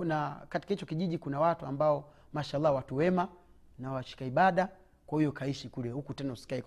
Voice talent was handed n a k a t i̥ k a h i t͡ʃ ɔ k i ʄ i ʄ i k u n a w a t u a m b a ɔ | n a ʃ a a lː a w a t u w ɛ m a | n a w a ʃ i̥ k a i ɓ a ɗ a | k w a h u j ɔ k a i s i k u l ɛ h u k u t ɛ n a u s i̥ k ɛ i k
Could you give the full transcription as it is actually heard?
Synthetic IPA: n a k a t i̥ k a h i t͡ʃ ɔ k i ʄ i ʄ i k u n a w a t u a m b a ɔ | m a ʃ a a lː a w a t u w ɛ m a | n a w a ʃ i̥ k a i ɓ a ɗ a | k w a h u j ɔ k a i ʃ i k u l ɛ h u k u t ɛ n a u s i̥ k a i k